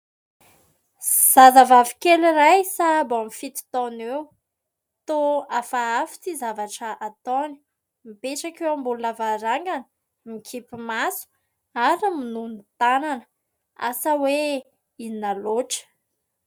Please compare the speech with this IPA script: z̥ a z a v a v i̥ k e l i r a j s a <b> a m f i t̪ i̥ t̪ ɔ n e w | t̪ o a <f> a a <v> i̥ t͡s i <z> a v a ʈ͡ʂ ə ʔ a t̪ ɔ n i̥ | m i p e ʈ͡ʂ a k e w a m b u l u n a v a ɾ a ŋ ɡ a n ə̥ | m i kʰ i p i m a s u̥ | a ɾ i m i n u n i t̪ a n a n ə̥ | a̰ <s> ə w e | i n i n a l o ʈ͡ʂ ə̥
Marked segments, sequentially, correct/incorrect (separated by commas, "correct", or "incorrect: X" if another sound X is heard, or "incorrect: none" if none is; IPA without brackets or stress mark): correct, correct, incorrect: f, correct, correct